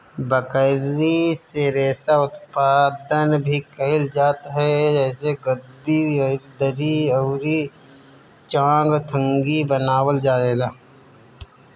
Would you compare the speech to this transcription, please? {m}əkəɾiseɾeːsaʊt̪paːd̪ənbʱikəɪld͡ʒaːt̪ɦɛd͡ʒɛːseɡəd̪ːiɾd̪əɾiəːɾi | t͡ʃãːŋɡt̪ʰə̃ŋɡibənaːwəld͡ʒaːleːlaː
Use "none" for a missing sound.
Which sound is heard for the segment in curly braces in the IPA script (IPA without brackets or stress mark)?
b